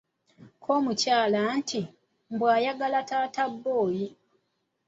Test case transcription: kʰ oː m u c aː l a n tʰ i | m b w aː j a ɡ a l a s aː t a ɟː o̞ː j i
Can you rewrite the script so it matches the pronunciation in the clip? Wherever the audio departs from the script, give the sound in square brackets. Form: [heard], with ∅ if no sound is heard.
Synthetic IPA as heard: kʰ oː m u c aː l a n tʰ i | m b w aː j a ɡ a l a [t] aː t a [bː] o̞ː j i